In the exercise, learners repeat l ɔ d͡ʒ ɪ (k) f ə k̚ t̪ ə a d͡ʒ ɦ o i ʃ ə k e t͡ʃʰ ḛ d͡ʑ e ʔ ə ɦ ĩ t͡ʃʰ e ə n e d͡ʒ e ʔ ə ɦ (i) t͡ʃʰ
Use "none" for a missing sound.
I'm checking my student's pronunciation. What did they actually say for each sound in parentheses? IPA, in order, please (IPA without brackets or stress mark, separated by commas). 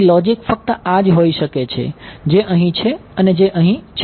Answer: k, ĩ